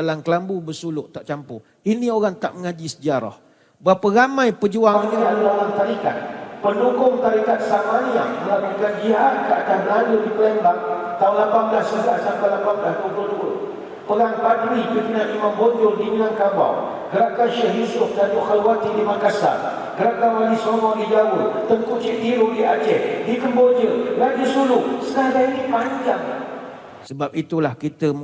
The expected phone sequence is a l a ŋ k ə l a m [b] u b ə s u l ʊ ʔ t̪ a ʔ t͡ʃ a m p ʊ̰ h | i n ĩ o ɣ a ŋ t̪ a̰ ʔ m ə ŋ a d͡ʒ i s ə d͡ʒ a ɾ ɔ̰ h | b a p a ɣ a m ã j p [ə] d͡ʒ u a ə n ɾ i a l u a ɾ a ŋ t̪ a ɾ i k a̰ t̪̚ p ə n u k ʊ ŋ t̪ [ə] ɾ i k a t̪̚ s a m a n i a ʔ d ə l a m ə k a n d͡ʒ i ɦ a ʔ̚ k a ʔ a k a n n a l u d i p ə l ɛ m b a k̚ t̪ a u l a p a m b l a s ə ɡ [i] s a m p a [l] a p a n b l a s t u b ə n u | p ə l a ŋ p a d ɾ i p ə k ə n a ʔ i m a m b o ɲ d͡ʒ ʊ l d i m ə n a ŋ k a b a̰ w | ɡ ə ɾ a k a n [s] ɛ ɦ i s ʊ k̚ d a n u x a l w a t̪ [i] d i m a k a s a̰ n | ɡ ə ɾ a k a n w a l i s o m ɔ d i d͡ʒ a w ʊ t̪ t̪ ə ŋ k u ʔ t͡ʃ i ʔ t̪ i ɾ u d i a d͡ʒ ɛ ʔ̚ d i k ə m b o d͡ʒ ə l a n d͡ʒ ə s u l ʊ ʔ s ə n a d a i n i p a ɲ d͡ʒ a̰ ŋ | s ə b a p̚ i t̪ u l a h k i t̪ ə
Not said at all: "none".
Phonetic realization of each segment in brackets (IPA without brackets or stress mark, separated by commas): b, ə, a, a, l, ʃ, i